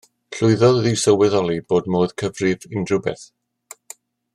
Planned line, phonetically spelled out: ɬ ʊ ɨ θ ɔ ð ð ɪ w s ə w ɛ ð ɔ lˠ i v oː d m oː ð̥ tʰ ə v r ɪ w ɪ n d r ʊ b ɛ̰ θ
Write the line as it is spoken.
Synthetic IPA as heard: ɬ ʊ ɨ ð ɔ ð ð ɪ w s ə w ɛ ð ɔ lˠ i b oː d m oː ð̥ kʰ ə v r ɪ v ɪ n d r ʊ b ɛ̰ θ